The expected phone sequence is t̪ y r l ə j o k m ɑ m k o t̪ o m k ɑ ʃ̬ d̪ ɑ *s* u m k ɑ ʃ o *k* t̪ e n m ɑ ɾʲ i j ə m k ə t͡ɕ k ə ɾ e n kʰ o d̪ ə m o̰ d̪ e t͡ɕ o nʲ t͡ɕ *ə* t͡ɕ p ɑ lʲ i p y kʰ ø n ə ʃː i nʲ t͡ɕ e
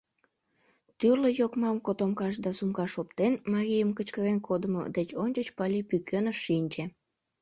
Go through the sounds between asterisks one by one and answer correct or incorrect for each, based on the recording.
correct, incorrect: p, correct

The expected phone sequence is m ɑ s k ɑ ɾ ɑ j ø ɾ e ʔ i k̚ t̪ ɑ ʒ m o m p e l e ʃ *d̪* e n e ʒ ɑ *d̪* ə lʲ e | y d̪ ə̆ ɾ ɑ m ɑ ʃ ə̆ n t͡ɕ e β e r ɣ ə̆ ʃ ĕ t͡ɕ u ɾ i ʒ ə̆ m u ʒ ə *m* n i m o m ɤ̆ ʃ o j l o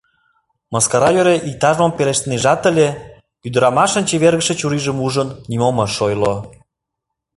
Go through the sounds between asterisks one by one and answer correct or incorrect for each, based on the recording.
incorrect: t̪, incorrect: t̪, incorrect: n

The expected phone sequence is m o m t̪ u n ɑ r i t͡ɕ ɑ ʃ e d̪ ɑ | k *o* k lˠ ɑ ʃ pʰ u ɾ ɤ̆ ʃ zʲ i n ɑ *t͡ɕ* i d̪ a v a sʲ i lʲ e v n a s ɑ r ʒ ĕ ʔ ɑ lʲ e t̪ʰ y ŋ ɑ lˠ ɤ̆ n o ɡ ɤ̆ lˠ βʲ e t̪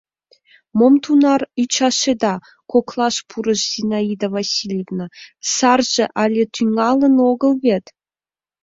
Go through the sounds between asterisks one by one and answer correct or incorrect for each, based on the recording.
correct, incorrect: none

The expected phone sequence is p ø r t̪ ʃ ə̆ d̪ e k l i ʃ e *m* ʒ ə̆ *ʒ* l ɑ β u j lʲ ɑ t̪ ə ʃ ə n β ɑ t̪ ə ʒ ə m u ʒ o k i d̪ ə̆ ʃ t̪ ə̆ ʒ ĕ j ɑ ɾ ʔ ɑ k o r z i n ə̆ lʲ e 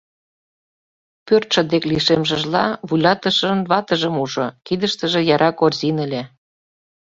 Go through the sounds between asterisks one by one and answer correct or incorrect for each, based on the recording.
correct, correct

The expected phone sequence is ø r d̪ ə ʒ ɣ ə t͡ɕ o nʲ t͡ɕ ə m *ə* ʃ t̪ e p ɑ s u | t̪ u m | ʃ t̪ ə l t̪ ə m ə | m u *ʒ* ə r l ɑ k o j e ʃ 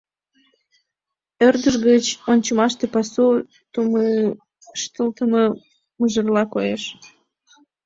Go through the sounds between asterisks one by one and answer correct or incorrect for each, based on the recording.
incorrect: ɑ, correct

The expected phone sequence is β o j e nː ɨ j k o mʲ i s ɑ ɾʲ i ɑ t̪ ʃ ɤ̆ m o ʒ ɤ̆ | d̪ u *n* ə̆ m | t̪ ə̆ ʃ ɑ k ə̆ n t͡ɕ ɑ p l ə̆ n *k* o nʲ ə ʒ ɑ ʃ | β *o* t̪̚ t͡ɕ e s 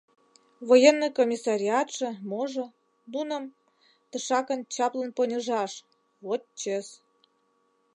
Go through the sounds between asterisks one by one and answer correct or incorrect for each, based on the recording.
correct, incorrect: p, correct

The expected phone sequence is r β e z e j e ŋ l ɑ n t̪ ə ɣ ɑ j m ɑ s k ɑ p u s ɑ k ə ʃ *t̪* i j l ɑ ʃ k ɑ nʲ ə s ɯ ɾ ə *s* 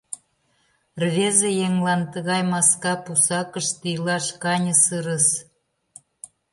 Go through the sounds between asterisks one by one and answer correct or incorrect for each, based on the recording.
correct, correct

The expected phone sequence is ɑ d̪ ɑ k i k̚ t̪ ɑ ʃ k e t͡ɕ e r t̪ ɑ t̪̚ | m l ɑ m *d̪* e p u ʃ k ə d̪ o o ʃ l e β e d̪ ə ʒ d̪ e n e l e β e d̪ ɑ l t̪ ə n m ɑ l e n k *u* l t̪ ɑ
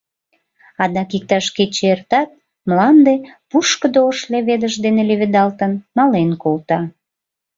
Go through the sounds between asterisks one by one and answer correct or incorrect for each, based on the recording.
correct, incorrect: o

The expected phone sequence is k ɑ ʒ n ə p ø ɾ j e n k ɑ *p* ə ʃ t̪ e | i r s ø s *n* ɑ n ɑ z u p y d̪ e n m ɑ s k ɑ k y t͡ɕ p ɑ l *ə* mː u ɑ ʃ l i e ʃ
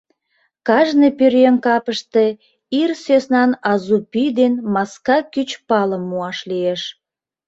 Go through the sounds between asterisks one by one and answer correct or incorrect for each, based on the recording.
correct, correct, correct

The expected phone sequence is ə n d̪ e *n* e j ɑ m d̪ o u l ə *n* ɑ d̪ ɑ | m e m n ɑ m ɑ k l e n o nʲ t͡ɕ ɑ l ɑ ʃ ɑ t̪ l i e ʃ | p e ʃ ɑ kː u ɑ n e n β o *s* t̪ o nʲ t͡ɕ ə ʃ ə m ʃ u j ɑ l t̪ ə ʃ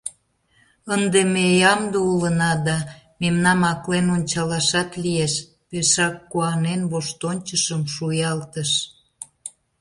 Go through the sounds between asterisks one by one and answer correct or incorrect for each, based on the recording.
incorrect: m, correct, incorrect: ʃ

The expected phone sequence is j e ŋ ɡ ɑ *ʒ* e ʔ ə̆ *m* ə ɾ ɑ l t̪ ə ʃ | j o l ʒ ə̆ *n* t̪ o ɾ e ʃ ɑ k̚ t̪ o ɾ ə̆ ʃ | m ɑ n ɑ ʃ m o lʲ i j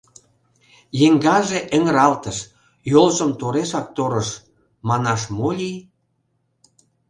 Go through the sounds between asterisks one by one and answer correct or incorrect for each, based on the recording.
correct, incorrect: ŋ, incorrect: m

